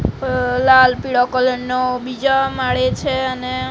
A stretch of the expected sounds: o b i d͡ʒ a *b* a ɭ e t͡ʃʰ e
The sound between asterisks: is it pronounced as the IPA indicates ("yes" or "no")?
no